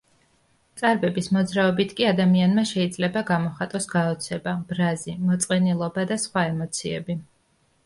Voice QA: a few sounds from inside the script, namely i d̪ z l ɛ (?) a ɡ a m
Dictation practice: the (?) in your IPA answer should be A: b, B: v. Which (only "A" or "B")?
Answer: A